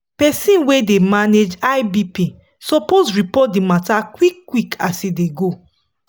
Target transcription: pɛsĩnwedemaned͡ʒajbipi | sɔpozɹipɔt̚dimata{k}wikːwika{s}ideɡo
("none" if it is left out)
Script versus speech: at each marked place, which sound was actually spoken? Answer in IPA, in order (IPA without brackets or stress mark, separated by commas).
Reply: k, s